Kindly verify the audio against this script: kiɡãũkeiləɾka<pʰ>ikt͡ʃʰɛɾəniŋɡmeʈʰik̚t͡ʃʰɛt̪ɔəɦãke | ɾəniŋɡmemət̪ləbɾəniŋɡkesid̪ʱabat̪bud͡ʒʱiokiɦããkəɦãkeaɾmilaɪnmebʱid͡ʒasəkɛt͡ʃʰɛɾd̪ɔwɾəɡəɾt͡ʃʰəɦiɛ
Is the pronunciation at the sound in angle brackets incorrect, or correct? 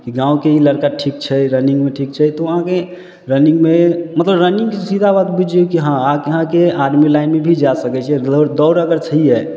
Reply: incorrect